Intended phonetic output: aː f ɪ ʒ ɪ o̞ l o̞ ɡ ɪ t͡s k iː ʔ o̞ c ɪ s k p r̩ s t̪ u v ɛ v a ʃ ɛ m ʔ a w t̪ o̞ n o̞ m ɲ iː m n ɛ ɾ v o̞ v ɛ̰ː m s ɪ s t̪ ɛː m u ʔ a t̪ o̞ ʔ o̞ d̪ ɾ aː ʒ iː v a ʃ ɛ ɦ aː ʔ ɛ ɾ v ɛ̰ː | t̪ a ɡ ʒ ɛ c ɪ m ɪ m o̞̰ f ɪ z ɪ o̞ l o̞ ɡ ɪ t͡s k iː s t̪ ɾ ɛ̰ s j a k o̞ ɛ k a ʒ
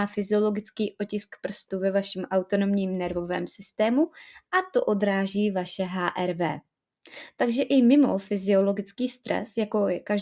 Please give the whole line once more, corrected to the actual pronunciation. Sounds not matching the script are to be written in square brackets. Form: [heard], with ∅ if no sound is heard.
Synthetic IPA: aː f ɪ [z] ɪ o̞ l o̞ ɡ ɪ t͡s k iː ʔ o̞ c ɪ s k p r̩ s t̪ u v ɛ v a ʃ ɛ m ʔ a w t̪ o̞ n o̞ m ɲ iː m n ɛ ɾ v o̞ v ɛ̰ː m s ɪ s t̪ ɛː m u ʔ a t̪ o̞ ʔ o̞ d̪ ɾ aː ʒ iː v a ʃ ɛ ɦ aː ʔ ɛ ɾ v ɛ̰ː | t̪ a ɡ ʒ ɛ [ʔ] ɪ m ɪ m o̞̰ f ɪ z ɪ o̞ l o̞ ɡ ɪ t͡s k iː s t̪ ɾ ɛ̰ s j a k o̞ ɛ k a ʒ